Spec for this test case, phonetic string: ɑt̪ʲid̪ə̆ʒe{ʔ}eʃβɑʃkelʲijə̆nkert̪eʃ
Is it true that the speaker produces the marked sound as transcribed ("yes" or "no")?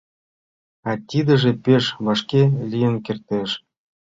no